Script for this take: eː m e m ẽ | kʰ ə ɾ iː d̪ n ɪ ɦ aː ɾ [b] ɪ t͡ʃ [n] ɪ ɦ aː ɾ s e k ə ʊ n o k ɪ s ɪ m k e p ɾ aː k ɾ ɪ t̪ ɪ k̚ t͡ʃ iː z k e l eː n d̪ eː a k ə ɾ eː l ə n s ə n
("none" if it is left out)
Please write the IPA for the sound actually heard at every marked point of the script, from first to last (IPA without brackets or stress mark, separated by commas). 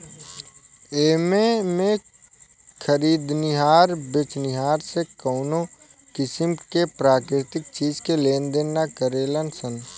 b, n